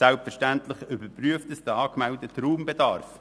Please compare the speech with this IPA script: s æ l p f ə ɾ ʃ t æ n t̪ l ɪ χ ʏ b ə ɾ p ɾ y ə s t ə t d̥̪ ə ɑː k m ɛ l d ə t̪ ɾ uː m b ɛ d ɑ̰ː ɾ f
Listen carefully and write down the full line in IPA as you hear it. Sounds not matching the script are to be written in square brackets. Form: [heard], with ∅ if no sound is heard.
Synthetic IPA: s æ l p f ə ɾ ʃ t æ n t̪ l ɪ χ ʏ b ə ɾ p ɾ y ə [f] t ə [s] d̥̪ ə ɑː k m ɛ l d ə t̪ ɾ uː m b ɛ d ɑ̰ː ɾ f